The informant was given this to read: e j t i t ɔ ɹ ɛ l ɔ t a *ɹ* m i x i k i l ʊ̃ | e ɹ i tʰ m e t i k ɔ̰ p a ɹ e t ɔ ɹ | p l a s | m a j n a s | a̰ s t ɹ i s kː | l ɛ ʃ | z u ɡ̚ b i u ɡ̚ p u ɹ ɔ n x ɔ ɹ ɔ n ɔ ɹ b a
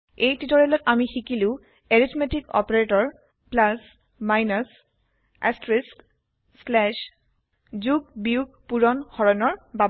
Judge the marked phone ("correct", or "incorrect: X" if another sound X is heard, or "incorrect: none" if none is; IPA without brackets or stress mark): incorrect: none